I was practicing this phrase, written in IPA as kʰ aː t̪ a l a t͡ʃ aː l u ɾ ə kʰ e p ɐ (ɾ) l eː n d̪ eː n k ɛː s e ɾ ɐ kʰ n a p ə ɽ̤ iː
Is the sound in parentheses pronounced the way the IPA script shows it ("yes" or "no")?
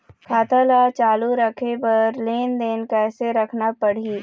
yes